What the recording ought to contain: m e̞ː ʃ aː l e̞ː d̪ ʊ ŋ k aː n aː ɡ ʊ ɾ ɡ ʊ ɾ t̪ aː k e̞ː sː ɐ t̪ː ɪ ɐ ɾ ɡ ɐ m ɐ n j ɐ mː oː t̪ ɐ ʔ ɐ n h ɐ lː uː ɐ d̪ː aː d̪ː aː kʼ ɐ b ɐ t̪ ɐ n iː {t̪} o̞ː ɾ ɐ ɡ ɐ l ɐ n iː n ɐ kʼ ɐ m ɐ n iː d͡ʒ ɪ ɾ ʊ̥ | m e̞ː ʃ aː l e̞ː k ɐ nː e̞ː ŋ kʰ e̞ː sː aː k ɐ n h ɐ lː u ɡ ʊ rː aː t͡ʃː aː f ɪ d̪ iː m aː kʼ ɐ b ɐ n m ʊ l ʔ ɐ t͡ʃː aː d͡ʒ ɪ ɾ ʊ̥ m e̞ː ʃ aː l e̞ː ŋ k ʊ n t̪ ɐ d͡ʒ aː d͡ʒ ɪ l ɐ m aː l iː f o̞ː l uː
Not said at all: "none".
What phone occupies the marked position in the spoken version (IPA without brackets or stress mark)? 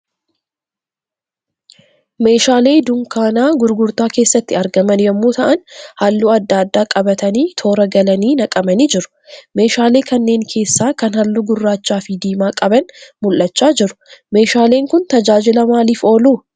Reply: t̪ʰ